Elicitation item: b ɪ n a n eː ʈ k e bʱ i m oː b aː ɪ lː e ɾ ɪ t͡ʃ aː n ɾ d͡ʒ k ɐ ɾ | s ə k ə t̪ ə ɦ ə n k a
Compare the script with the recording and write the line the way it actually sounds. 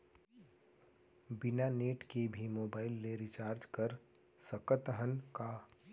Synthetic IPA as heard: b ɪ n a n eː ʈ k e bʱ i m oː b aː ɪ lː e ɾ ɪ t͡ʃ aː ɾ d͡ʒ k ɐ ɾ | s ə k ə t̪ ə ɦ ə n k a